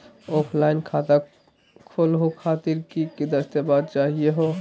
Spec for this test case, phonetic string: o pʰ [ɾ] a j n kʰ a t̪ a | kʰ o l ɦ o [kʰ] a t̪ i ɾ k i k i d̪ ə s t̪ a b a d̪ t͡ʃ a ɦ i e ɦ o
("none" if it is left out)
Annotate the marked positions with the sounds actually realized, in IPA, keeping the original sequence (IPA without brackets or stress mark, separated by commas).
l, kʰ